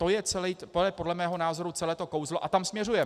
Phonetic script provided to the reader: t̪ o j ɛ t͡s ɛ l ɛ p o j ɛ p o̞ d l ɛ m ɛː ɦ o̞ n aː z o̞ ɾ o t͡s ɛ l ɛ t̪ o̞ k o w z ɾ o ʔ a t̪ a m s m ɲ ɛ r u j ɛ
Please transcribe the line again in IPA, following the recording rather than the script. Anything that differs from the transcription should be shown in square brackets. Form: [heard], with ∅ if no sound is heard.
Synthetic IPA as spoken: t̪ o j ɛ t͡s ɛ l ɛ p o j ɛ p o̞ d l ɛ m ɛː ɦ o̞ n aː z o̞ ɾ [u] t͡s ɛ l [ɛː] t̪ o̞ k o w z [l] o ʔ a t̪ a m s m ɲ ɛ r u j ɛ